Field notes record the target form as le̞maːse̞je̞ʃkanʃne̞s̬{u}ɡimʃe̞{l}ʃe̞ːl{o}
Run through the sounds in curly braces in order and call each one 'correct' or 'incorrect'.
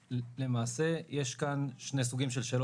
correct, correct, correct

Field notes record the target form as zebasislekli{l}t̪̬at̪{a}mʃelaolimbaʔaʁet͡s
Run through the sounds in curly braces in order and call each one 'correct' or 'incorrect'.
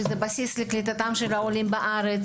incorrect: none, correct

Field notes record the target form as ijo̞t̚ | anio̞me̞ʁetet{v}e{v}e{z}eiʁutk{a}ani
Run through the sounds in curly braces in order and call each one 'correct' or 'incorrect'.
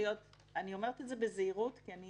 incorrect: z, incorrect: b, correct, incorrect: i

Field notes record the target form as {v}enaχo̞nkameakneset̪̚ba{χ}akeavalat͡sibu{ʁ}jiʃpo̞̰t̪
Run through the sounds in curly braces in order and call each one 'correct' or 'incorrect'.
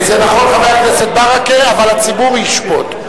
incorrect: z, incorrect: ʁ, correct

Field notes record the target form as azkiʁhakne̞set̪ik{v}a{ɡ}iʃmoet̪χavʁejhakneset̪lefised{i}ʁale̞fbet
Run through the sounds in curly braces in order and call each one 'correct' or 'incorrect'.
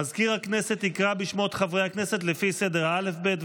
incorrect: ʁ, incorrect: b, incorrect: e

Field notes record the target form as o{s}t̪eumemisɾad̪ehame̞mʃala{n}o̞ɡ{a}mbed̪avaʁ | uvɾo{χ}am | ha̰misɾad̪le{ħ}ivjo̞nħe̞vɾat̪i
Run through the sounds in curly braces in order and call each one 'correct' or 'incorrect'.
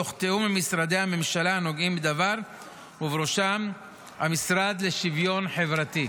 incorrect: χ, correct, incorrect: i, incorrect: ʃ, incorrect: ʃ

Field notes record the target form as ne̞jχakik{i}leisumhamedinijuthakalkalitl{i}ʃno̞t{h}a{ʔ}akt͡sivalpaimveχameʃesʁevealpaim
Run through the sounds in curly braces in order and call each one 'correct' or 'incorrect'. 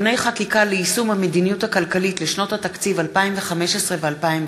incorrect: a, incorrect: e, correct, incorrect: t

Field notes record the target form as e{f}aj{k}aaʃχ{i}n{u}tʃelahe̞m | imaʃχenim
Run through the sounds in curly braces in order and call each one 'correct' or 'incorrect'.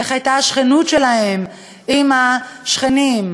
incorrect: χ, incorrect: t, incorrect: e, correct

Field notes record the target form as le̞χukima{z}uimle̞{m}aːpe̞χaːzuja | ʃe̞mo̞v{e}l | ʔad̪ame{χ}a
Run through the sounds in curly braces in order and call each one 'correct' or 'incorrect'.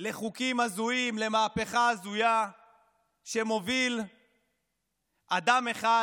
correct, correct, incorrect: i, correct

